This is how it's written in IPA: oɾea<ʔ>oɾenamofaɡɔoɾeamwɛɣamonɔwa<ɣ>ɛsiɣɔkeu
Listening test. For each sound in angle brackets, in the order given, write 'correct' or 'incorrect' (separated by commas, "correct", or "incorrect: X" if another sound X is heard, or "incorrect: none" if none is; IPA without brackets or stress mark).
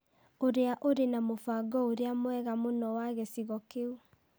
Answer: correct, correct